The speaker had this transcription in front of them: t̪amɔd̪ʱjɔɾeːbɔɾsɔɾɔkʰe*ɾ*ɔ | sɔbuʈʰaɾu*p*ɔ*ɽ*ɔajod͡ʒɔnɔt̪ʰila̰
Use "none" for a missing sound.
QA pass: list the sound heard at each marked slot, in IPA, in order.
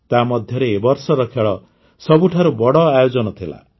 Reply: ɭ, b, ɽ

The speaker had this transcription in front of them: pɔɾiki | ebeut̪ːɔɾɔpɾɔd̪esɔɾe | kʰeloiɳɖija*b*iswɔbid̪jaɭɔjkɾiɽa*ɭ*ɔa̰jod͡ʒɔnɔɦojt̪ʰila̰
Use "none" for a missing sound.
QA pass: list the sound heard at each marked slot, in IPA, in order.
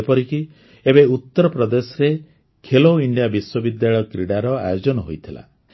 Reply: b, ɾ

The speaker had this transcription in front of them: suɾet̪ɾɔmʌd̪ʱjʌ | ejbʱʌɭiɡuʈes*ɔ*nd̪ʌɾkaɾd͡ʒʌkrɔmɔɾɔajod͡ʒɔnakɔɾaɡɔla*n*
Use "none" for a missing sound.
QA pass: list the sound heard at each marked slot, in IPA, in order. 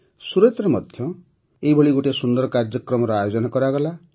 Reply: u, none

